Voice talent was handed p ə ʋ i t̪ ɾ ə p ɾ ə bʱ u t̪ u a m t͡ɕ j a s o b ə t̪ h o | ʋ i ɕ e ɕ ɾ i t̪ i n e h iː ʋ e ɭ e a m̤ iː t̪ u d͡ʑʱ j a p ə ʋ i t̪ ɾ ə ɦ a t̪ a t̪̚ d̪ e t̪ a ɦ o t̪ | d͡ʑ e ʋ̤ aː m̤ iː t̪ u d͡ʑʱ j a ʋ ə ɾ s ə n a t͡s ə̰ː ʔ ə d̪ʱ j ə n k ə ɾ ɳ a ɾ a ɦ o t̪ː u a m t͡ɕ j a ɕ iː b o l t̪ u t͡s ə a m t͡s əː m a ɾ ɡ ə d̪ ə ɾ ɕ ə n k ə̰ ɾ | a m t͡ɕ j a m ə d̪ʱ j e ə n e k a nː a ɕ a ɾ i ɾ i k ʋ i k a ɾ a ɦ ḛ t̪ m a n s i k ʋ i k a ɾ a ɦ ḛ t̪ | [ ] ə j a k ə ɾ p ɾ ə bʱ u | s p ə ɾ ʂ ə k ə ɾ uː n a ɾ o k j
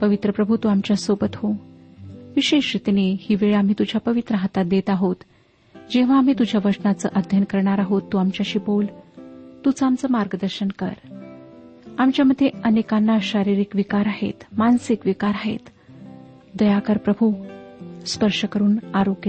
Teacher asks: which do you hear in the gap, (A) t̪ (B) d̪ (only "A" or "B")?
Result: B